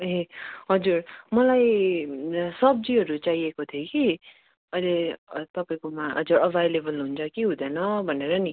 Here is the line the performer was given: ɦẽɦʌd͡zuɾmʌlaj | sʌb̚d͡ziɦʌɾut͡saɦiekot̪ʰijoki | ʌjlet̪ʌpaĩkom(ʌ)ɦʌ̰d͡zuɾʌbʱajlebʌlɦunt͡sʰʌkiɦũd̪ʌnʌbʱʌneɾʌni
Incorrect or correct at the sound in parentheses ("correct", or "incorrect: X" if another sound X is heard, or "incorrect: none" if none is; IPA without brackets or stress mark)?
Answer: incorrect: a